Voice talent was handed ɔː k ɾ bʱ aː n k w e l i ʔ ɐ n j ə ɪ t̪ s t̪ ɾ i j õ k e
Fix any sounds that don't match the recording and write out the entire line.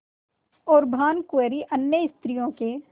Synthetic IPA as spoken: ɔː ɾ bʱ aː n k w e ɾ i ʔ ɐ n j ə ɪ s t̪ ɾ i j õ k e

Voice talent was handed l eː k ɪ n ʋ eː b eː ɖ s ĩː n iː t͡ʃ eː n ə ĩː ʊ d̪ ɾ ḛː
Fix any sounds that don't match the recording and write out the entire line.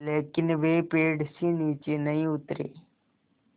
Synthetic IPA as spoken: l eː k ɪ n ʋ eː p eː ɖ s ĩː n iː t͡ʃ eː n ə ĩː ʊ t̪ ɾ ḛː

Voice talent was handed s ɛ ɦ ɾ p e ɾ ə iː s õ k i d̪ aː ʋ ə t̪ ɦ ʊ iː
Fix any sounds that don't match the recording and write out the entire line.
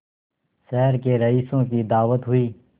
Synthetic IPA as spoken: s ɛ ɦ ɾ k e ɾ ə iː s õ k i d̪ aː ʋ ə t̪ ɦ ʊ iː

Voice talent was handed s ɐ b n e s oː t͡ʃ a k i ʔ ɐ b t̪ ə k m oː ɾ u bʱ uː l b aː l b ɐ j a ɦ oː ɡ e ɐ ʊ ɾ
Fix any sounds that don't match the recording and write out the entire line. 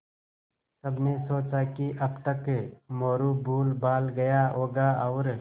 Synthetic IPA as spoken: s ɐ b n e s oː t͡ʃ a k i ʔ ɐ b t̪ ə k m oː ɾ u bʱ uː l b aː l ɡ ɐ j a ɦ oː ɡ a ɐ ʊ ɾ

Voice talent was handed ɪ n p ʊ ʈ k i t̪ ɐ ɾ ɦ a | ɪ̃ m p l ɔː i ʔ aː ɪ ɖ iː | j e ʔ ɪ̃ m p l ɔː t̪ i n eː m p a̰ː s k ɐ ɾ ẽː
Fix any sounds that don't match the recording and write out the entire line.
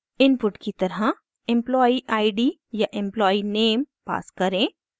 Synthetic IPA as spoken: ɪ n p ʊ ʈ k i t̪ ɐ ɾ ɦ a | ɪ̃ m p l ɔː i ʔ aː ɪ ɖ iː | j a ʔ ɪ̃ m p l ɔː i n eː m p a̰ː s k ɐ ɾ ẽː

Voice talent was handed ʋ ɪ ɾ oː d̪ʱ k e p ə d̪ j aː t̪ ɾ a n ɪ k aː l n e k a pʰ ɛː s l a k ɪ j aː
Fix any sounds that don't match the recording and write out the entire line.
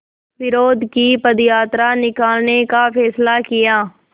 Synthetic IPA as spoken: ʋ ɪ ɾ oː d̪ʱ k i p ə d̪ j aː t̪ ɾ a n ɪ k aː l n e k a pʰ ɛː s l a k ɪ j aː

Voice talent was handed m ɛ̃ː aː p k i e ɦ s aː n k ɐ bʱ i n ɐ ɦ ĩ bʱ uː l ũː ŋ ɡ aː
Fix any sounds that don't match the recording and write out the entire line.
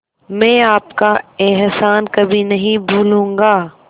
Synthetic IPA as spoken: m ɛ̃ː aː p k a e ɦ s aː n k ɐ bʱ i n ɐ ɦ ĩ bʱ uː l ũː ŋ ɡ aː

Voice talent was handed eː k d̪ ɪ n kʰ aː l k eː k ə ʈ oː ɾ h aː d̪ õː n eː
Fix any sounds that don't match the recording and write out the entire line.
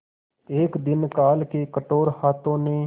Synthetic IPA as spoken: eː k d̪ ɪ n k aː l k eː k ə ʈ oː ɾ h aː t̪ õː n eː

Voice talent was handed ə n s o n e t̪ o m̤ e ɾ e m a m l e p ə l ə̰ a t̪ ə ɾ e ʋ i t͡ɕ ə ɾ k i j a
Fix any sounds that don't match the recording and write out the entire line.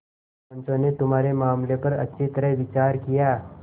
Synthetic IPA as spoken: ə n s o n e t̪ u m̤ a ɾ e m a m l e p ə ɾ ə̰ i t̪ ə ɾ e ʋ i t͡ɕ a ɾ k i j a

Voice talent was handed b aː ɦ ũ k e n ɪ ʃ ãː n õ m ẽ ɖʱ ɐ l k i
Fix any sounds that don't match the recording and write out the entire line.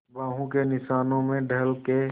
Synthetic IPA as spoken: b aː ɦ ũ k e n ɪ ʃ aː n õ m ẽ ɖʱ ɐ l k e

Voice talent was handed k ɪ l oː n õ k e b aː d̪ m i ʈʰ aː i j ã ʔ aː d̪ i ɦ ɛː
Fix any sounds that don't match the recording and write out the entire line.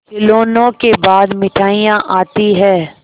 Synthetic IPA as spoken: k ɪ l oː n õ k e b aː d̪ m ɪ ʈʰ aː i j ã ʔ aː t̪ i ɦ ɛː

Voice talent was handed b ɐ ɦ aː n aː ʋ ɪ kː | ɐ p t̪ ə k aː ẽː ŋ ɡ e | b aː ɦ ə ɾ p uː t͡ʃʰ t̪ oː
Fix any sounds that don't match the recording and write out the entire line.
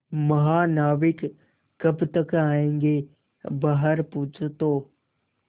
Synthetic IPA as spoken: m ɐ ɦ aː n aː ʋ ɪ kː | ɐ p t̪ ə k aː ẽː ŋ ɡ e | b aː ɦ ə ɾ p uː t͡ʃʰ t̪ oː

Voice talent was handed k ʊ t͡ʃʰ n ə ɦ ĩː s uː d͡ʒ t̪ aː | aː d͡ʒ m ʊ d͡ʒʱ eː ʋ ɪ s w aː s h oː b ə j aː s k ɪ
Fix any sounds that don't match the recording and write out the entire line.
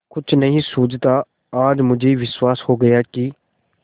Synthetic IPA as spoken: k ʊ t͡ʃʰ n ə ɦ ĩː s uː d͡ʒ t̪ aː | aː d͡ʒ m ʊ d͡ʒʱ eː ʋ ɪ s w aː s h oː ɡ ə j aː k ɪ

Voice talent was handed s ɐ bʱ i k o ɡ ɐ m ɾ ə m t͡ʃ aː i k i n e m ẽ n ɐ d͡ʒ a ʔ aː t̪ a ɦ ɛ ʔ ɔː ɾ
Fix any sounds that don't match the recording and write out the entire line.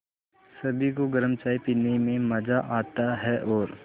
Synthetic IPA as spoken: s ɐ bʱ i k o ɡ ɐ ɾ ə m t͡ʃ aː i p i n e m ẽ m ɐ d͡ʒ a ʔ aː t̪ a ɦ ɛ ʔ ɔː ɾ

